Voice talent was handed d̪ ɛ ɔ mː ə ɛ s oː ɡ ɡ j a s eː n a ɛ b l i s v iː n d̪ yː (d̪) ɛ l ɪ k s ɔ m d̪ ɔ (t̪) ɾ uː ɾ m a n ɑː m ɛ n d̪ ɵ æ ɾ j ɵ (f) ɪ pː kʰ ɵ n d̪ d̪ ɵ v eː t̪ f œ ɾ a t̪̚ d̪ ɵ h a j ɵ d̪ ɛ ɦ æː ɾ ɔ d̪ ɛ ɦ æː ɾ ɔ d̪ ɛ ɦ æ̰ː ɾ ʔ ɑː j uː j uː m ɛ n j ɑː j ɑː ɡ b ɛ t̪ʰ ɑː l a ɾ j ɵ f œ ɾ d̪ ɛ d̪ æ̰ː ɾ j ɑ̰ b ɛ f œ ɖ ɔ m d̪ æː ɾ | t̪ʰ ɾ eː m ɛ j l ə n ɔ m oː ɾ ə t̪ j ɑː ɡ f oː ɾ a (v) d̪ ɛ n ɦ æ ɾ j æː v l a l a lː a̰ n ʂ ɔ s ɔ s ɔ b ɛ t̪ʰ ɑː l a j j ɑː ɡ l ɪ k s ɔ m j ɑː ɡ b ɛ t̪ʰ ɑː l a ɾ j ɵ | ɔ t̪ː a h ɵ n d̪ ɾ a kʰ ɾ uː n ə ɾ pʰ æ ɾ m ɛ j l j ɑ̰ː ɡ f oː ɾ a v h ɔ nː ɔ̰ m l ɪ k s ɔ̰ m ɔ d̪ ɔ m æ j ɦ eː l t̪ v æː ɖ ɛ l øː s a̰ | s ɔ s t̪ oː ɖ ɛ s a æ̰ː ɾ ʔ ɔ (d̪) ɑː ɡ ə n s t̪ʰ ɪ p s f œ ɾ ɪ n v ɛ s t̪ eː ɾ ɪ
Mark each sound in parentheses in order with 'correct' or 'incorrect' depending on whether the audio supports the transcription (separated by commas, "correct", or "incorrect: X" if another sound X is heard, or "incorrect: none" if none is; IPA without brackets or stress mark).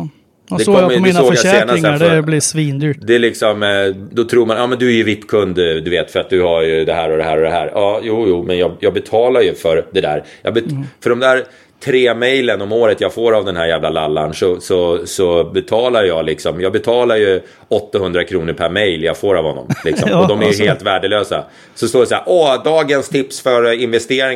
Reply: correct, incorrect: t̪ʰ, incorrect: v, correct, correct